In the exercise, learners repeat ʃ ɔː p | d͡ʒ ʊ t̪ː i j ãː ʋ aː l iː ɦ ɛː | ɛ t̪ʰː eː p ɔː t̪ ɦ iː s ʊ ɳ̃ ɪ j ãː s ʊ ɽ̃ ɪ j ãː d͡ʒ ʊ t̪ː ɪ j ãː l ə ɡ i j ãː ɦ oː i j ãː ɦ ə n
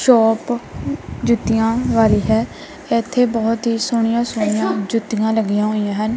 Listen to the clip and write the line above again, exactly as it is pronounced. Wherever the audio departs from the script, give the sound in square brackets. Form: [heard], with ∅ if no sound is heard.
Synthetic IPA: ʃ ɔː p | d͡ʒ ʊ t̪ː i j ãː ʋ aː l iː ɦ ɛː | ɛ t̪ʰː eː [b] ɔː t̪ ɦ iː s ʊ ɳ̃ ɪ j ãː s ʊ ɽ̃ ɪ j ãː d͡ʒ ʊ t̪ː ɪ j ãː l ə ɡ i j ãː ɦ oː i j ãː ɦ ə n